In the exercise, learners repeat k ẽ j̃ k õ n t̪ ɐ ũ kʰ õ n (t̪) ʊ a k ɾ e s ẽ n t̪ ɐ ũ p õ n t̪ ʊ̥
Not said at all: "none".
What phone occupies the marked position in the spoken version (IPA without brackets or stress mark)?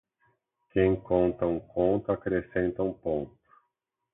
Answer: t̪